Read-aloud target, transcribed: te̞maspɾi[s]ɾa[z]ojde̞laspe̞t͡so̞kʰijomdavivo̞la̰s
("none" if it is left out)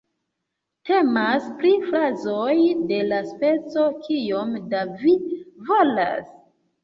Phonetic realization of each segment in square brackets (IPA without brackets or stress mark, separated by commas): f, z